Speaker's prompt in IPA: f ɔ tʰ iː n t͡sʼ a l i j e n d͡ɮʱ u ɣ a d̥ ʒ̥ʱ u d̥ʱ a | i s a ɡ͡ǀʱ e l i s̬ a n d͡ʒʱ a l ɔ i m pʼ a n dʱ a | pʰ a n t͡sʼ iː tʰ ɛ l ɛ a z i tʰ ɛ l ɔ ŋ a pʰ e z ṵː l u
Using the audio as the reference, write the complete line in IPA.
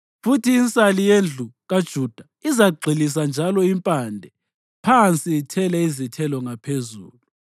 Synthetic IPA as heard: f u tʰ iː n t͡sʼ a l i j e n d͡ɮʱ u ɣ a d̥ ʒ̥ʱ u d̥ʱ a | i z a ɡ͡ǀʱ i l i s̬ a n d͡ʒʱ a l ɔ i m pʼ a n dʱ ɛ | pʰ a n t͡sʼ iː tʰ ɛ l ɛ i z i tʰ ɛ l ɔ ŋ a pʰ e z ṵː l u